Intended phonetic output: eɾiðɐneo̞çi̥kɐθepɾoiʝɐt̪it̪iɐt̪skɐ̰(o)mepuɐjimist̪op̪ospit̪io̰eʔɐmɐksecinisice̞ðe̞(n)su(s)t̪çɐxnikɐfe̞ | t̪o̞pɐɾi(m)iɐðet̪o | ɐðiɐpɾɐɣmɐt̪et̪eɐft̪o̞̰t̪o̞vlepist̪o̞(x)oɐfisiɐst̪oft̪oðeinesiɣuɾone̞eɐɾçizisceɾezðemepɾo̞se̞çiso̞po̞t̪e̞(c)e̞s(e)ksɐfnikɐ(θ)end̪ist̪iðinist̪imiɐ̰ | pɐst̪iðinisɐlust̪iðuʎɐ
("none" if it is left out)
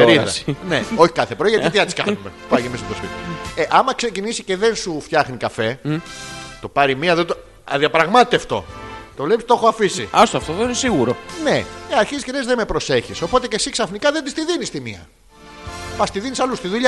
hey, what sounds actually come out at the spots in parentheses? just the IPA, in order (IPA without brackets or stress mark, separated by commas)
u, n, f, m, x, c, i, ð